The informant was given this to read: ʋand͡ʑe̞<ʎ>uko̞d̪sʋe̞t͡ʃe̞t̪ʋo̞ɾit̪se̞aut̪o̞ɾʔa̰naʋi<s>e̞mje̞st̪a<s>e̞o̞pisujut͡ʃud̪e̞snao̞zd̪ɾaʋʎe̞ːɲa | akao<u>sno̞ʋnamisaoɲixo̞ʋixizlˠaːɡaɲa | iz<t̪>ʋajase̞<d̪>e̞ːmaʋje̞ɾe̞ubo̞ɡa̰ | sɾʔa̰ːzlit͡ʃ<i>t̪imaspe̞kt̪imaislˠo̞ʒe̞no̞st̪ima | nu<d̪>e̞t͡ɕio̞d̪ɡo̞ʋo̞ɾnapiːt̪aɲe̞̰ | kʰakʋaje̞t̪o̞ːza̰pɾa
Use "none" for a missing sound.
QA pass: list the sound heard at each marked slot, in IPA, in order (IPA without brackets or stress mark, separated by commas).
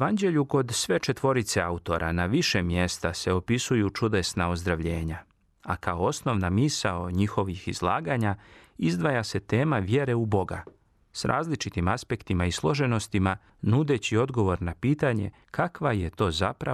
ʎ, ʃ, s, o, d̪, t̪, i, d̪